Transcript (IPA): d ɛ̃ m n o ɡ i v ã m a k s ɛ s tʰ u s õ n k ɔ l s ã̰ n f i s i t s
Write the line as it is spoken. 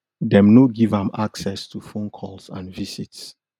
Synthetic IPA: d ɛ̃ m n o ɡ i v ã m a k s ɛ s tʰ u f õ n kʰ ɔ l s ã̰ n v i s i t s